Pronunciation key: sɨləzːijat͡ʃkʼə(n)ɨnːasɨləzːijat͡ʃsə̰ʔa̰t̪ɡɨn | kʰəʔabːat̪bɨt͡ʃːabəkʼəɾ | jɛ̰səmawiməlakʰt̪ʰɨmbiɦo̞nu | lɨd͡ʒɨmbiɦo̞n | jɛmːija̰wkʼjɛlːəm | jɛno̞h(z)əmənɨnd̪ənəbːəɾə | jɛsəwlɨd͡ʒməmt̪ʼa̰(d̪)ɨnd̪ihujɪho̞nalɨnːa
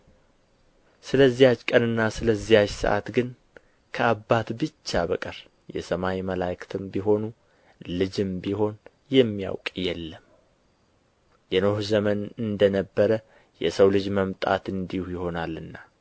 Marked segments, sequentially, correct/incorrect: correct, correct, incorrect: t̪

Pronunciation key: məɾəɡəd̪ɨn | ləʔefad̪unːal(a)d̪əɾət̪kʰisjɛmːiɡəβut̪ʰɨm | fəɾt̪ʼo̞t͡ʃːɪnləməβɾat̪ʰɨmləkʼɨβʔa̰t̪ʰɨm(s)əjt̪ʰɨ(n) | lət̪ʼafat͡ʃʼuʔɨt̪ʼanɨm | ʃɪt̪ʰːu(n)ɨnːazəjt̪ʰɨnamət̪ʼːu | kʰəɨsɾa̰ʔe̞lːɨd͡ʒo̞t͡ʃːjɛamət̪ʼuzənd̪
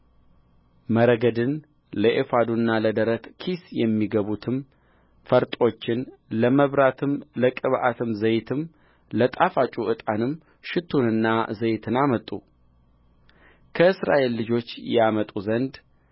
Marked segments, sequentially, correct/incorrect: incorrect: ə, incorrect: z, incorrect: m, correct

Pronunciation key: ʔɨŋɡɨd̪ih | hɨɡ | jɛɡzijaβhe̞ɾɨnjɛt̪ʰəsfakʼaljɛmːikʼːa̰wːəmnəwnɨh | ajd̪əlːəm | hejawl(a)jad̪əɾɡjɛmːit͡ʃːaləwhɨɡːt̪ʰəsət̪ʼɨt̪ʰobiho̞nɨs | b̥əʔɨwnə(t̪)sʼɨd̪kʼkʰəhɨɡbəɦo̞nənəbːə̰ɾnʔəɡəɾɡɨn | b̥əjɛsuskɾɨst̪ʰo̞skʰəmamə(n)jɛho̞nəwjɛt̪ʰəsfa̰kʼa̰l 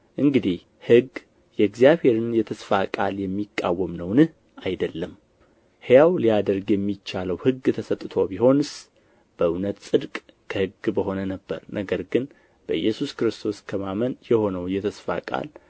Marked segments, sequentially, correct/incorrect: incorrect: i, correct, correct

